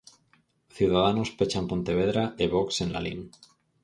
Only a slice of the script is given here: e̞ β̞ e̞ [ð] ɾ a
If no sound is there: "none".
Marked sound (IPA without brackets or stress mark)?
ð